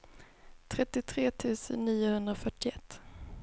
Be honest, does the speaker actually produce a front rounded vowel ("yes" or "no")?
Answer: yes